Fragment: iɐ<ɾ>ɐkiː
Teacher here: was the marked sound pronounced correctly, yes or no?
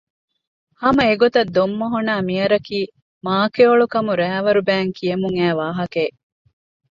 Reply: yes